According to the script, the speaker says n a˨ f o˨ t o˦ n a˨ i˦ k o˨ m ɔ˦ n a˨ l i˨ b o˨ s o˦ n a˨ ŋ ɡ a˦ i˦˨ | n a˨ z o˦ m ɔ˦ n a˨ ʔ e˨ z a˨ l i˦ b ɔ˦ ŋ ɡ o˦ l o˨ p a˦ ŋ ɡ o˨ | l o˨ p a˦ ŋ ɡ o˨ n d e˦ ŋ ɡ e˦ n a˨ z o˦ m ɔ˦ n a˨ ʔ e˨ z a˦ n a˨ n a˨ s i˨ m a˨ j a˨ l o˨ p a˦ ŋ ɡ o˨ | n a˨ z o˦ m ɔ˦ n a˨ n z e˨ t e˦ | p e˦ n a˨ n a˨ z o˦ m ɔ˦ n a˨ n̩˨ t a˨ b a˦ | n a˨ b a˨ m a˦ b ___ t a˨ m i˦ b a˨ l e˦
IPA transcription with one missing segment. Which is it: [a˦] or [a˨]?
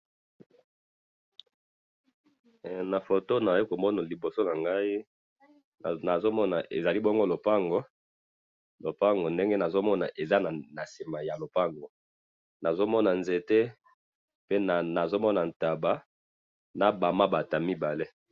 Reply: a˨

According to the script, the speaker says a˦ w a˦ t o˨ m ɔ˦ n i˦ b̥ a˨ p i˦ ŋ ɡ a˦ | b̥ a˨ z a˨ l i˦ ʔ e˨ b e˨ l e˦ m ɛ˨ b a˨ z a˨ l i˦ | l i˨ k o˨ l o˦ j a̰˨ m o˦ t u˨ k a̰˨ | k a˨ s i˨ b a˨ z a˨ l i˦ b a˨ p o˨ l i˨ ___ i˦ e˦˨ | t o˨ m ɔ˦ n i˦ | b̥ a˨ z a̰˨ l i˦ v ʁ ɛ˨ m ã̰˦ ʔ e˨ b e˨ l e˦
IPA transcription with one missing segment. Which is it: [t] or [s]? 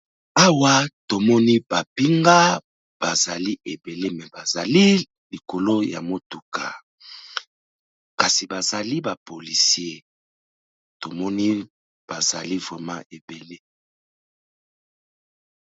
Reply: s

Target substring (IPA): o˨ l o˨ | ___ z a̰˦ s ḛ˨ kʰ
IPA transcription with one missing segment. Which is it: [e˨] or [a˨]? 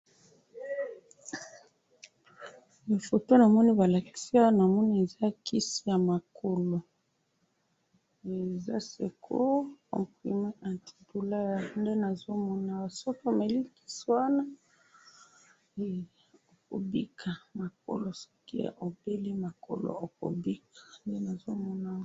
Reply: e˨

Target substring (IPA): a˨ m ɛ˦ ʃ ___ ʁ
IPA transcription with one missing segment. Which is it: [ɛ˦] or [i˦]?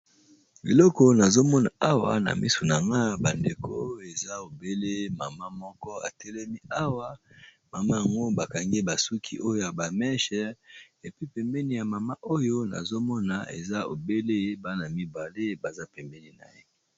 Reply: ɛ˦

